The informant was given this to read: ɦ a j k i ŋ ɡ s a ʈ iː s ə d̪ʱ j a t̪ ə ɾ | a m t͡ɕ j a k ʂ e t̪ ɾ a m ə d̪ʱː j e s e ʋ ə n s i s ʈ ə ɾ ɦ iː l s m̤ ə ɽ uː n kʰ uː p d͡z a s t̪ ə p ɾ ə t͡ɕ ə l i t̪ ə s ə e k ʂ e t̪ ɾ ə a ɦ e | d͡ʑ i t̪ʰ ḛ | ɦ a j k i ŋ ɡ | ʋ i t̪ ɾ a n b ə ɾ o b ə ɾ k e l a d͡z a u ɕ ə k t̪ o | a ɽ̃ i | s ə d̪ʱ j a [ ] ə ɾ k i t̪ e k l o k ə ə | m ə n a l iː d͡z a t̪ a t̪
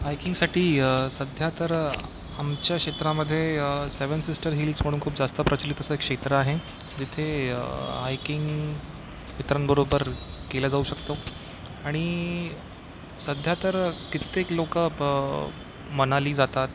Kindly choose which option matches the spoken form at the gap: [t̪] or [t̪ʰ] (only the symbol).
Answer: t̪